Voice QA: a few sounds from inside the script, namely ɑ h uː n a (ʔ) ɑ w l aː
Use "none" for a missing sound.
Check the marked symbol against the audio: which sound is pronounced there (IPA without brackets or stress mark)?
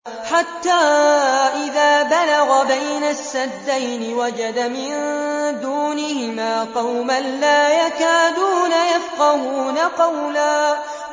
q